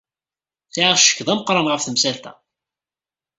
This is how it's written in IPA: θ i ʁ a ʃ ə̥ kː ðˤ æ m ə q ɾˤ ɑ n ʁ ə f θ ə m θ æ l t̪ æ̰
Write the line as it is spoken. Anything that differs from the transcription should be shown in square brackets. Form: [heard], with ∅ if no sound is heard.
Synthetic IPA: θ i [ʕ] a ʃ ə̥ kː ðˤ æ m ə q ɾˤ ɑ n ʁ ə f θ ə m [s] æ l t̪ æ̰